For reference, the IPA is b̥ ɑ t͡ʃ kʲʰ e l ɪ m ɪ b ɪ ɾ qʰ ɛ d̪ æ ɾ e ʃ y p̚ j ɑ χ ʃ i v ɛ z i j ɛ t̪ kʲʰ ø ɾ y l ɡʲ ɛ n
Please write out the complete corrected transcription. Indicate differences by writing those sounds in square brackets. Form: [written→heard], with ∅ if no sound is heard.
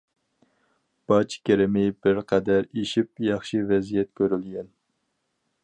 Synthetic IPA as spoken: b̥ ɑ t͡ʃ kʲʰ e [l→ɾ] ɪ m ɪ b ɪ ɾ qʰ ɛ d̪ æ ɾ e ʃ [y→i] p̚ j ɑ χ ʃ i v ɛ z i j ɛ t̪ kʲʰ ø ɾ y l ɡʲ ɛ n